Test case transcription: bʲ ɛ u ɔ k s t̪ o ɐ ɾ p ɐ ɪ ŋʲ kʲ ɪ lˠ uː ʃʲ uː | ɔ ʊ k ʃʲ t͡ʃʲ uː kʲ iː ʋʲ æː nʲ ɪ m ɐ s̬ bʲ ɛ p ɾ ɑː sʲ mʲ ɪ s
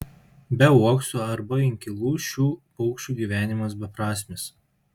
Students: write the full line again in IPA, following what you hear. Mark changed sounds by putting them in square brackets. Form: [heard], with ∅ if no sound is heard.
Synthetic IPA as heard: bʲ ɛ u ɔ k s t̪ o ɐ ɾ [b] ɐ ɪ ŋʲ kʲ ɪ lˠ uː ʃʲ uː | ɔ ʊ k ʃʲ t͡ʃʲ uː [ɡʲ] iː ʋʲ æː nʲ ɪ m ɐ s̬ bʲ ɛ p ɾ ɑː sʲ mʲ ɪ s